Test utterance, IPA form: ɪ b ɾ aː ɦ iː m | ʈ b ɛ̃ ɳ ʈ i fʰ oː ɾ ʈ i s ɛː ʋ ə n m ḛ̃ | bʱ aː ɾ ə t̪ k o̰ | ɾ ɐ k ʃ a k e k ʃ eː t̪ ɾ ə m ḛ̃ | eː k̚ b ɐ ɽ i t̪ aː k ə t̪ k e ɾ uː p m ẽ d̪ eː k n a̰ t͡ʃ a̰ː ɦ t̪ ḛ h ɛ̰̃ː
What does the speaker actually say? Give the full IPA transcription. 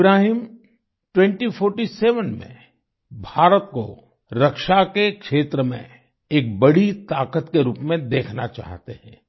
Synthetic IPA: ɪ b ɾ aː ɦ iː m | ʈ w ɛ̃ ɳ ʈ i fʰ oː ɾ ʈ i s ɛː ʋ ə n m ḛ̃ | bʱ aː ɾ ə t̪ k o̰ | ɾ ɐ k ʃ a k e k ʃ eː t̪ ɾ ə m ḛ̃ | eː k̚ b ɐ ɽ i t̪ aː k ə t̪ k e ɾ uː p m ẽ d̪ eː kʰ n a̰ t͡ʃ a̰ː ɦ t̪ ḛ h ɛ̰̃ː